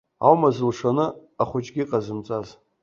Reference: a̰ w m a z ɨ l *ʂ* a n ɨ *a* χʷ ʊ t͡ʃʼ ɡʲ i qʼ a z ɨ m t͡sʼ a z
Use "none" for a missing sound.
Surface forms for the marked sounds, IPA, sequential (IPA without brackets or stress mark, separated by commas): ʂ, a